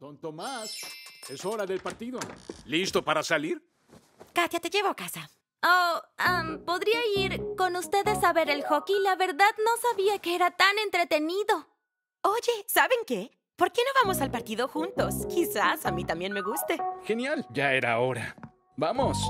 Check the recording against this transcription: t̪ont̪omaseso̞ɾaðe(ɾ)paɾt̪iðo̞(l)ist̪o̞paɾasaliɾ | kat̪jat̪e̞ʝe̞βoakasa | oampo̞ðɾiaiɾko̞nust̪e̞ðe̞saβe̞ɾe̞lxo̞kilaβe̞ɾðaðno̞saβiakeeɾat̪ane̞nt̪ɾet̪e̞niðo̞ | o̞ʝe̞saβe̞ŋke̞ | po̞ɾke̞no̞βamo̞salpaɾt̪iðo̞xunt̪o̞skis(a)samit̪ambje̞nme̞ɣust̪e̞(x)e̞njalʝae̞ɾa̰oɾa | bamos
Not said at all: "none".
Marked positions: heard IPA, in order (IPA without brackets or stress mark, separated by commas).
l, l, a, x